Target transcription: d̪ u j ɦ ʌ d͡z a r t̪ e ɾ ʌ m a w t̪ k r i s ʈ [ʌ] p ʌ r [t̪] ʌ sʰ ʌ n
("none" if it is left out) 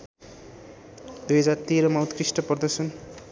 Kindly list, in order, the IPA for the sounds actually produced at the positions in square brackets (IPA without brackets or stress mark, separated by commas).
ʌ, d̪